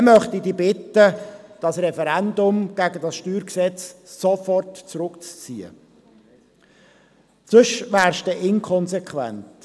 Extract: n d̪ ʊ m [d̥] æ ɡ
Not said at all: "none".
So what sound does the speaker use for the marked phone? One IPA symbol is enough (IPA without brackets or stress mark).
ɡ̥